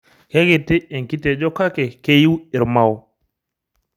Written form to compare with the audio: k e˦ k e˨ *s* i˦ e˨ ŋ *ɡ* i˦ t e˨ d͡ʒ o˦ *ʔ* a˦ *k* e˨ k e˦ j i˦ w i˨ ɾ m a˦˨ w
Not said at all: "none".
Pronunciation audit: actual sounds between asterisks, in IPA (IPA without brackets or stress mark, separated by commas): t, k, k, k